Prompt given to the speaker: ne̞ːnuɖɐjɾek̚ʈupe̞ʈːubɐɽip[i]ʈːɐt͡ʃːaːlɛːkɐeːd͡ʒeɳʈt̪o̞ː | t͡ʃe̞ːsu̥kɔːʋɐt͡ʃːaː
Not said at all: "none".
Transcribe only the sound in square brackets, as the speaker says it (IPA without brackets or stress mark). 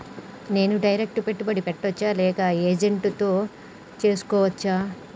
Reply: e